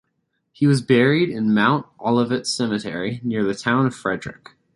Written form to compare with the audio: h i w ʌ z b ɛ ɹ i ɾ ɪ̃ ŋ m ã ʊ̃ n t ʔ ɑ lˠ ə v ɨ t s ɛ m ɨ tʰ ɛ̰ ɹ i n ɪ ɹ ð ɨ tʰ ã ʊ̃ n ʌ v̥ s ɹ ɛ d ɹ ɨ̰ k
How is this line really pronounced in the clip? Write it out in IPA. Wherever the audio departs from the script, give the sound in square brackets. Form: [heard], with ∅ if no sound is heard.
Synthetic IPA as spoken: h i w ʌ z b ɛ ɹ i ɾ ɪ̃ [n] m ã ʊ̃ n t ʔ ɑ lˠ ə v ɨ t s ɛ m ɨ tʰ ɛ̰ ɹ i n ɪ ɹ ð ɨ tʰ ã ʊ̃ n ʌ v̥ [f] ɹ ɛ d ɹ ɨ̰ k